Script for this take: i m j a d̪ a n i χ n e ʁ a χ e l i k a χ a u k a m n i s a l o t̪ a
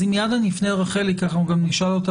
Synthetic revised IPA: i m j a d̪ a n i f n e ʁ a χ e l i k a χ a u ɡ a m n i ʃ a l o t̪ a